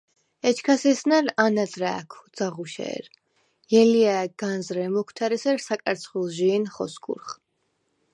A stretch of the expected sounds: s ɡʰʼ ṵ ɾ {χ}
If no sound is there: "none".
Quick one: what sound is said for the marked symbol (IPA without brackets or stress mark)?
χ